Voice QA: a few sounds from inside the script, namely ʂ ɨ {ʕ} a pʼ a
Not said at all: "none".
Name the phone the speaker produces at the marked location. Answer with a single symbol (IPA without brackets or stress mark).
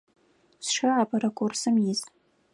ʕ